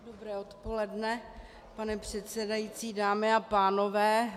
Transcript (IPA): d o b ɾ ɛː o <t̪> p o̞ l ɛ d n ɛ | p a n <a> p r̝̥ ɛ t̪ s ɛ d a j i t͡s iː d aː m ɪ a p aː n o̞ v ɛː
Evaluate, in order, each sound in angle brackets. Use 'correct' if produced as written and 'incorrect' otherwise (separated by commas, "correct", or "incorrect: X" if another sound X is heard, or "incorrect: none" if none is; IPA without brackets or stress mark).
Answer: correct, incorrect: ɛ